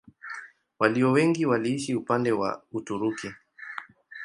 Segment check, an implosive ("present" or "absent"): absent